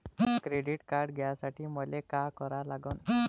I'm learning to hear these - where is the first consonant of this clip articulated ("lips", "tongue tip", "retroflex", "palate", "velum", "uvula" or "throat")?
velum